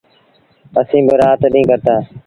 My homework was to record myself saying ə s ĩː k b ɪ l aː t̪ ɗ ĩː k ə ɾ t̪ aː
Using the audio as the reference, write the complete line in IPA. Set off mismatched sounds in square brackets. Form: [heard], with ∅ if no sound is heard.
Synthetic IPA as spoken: ə s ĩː [∅] b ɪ [ɾ] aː t̪ ɗ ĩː k ə ɾ t̪ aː